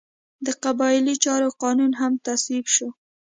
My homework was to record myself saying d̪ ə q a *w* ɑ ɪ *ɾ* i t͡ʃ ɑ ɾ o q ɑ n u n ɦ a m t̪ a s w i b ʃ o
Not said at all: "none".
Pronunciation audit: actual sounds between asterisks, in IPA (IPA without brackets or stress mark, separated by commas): b, l